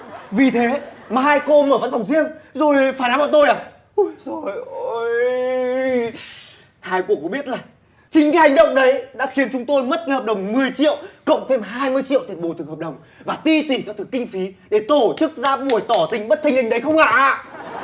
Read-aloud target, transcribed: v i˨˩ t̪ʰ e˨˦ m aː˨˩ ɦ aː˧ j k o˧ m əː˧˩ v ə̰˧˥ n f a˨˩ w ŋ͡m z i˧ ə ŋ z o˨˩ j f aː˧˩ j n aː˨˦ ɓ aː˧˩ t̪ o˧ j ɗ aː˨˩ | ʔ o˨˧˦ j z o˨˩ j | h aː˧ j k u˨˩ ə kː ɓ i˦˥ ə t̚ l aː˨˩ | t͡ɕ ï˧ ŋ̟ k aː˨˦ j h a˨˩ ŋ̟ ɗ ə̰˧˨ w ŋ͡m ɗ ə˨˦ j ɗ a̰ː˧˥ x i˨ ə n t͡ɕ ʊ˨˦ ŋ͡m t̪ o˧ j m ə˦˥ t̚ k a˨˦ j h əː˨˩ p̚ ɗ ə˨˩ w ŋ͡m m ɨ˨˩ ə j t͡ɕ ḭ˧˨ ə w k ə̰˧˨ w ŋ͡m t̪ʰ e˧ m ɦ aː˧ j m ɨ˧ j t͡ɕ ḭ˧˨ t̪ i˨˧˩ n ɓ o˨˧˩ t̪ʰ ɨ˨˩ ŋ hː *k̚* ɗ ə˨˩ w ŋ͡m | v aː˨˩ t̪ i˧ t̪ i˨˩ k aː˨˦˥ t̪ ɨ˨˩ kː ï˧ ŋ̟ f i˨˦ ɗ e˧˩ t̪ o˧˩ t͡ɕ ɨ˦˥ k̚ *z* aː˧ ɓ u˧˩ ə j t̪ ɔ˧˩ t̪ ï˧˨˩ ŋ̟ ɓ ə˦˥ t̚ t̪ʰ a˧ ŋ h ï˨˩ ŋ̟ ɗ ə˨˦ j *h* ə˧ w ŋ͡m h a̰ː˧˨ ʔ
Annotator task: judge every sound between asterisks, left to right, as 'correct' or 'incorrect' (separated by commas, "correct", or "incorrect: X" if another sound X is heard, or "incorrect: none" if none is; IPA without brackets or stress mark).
incorrect: p̚, correct, incorrect: x